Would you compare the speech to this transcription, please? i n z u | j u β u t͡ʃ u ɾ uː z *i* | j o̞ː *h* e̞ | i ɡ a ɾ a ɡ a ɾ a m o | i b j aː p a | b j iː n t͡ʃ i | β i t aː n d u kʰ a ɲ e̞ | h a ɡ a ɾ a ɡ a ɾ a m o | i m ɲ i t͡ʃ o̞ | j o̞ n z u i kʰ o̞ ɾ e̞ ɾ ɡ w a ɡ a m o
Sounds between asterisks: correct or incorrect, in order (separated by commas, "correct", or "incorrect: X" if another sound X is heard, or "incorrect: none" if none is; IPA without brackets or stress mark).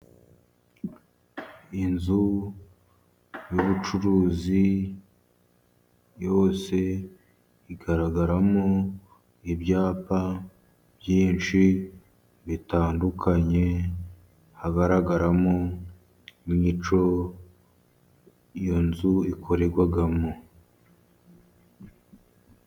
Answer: correct, incorrect: s